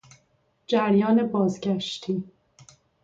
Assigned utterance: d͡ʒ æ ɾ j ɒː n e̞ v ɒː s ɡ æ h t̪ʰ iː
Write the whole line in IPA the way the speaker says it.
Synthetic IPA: d͡ʒ æ ɾ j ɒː n e̞ b ɒː z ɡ æ ʃ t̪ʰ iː